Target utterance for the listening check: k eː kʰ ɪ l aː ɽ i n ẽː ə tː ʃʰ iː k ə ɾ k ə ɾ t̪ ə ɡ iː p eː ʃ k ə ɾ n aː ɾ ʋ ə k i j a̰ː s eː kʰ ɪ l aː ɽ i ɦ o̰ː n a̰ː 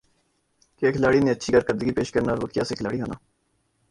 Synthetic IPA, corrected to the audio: k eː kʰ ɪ l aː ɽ i n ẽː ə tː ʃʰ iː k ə ɾ k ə ɾ d̪ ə ɡ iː p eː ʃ k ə ɾ n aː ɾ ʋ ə k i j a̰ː s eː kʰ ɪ l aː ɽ i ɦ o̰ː n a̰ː